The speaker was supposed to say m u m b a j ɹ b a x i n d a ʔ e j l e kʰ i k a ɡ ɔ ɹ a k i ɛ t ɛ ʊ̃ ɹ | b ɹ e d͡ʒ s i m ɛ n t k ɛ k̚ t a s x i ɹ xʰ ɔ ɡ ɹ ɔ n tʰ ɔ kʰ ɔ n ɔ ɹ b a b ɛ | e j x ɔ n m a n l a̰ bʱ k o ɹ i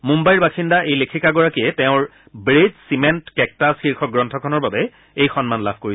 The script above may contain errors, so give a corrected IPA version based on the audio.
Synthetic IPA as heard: m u m b a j ɹ b a x i n d a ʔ e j l e kʰ i k a ɡ ɔ ɹ a k i ɛ t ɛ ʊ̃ ɹ | b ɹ e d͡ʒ s i m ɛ n t k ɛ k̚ t a s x i ɹ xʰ ɔ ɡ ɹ ɔ n tʰ ɔ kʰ ɔ n ɔ ɹ b a b ɛ | e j x ɔ n m a n l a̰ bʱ k o ɹ i